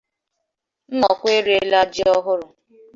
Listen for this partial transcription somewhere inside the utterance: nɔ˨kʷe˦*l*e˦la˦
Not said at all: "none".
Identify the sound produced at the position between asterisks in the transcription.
ɾ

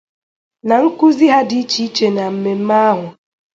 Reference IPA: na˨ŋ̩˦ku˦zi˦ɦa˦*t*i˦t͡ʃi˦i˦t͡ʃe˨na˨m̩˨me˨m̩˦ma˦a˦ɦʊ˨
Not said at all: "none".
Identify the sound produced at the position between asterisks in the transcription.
d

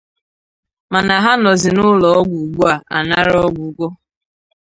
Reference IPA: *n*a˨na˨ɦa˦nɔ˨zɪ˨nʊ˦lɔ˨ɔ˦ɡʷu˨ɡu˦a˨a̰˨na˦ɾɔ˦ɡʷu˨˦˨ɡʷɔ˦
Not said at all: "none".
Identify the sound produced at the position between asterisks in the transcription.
m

